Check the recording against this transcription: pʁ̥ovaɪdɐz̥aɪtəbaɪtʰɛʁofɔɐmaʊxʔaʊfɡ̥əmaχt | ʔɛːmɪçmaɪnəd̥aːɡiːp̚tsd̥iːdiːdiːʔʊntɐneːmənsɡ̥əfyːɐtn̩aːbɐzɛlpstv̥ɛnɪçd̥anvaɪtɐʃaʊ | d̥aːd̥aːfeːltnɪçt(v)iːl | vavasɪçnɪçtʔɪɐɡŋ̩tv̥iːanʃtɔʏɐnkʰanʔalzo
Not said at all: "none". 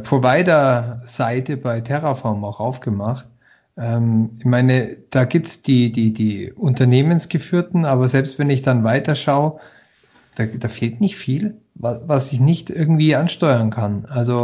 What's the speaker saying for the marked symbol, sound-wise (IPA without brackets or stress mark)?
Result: f